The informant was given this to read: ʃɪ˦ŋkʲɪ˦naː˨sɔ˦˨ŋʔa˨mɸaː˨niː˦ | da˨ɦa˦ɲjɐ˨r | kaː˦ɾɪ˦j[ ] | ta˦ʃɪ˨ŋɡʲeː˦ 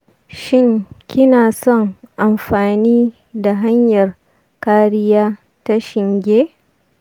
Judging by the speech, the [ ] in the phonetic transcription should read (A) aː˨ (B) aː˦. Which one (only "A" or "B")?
B